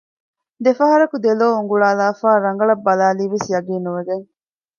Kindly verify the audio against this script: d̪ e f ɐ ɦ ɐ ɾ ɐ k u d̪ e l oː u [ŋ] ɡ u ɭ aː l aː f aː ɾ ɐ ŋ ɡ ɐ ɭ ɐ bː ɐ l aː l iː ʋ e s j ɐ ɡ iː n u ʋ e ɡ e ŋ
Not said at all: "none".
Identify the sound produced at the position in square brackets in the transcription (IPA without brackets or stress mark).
ŋ